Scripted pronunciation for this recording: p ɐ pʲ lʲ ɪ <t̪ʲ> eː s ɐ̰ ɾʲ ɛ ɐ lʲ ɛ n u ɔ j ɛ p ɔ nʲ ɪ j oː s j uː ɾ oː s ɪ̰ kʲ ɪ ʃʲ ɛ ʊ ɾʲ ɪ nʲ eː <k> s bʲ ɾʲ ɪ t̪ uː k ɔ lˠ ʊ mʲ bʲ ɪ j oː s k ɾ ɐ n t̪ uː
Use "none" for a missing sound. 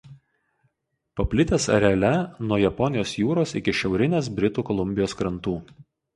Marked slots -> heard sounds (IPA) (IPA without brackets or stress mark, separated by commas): t̪ʲ, none